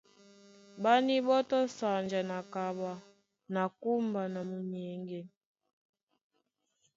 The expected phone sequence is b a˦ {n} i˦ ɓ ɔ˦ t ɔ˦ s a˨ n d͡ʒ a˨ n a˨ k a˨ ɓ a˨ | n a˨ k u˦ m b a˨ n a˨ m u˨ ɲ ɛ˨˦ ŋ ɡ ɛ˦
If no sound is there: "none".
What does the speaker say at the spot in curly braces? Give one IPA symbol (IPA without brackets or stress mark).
n